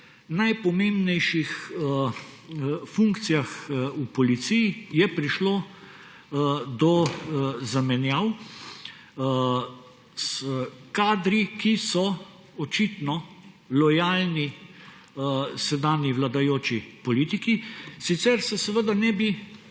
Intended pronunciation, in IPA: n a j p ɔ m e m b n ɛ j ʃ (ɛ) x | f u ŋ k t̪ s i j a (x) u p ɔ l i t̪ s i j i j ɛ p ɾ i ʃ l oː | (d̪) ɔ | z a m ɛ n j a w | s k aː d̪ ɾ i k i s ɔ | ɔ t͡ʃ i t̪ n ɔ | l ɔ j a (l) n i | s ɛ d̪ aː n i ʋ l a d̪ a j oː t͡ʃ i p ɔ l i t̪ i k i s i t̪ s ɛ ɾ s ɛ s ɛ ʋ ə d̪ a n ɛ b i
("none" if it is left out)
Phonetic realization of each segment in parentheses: i, x, d̪, l

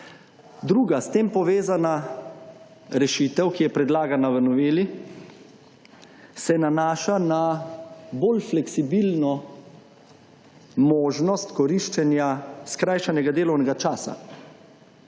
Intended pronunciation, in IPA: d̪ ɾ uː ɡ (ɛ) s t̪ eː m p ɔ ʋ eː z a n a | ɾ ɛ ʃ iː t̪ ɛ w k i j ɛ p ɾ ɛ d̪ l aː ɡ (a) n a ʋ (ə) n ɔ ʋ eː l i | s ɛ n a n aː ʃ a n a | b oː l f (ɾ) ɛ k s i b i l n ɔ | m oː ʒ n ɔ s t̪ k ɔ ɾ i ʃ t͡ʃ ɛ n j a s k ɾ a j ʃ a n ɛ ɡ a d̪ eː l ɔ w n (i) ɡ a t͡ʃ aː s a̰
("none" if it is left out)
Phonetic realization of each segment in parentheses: a, a, ə, l, ɛ

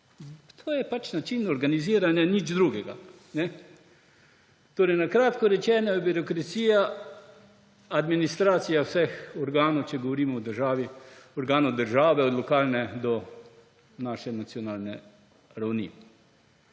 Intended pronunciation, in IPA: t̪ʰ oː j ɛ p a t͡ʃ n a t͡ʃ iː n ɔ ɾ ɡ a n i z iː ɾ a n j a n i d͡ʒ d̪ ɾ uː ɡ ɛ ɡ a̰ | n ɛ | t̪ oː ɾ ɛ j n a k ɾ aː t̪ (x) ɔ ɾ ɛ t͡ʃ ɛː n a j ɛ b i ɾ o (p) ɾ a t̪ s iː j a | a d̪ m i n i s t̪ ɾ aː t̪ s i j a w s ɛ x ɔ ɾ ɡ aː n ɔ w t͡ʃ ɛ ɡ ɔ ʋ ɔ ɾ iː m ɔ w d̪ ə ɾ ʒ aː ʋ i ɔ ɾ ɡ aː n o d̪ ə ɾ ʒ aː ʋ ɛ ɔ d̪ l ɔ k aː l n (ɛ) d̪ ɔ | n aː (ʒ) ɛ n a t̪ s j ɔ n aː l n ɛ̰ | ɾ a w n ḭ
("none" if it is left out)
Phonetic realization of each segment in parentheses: k, k, ɛ, ʃ

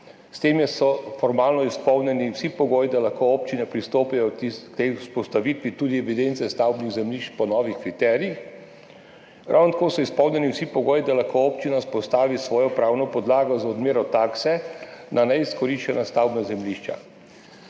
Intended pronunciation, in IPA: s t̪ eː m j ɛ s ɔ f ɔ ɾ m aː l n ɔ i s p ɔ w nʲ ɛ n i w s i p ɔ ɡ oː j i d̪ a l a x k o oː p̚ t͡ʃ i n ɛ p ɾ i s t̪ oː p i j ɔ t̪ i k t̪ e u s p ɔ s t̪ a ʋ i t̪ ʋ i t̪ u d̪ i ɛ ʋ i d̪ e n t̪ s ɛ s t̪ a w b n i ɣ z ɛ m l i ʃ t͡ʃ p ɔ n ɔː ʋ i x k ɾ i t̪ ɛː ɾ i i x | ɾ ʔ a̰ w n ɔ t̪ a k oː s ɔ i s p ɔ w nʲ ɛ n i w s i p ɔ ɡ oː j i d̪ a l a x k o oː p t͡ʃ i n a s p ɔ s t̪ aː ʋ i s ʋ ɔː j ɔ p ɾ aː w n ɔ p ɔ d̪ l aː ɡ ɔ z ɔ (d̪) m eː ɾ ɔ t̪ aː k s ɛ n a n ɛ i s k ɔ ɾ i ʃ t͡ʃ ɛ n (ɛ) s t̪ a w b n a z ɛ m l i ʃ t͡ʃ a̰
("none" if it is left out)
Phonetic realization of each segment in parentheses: d̪, a

